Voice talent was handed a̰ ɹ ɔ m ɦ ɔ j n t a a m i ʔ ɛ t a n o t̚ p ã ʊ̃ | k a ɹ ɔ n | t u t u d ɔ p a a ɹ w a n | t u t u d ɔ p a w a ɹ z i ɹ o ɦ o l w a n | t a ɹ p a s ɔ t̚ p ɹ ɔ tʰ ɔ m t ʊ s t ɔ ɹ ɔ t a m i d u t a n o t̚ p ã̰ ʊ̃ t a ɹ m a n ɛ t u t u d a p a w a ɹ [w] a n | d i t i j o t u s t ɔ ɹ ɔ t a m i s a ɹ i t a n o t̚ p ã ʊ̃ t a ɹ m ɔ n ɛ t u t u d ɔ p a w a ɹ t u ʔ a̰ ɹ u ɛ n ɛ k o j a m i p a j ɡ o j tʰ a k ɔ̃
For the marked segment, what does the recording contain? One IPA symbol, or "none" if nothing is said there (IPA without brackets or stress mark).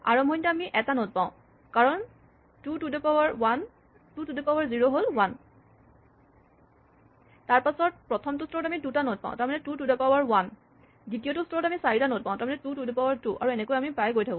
w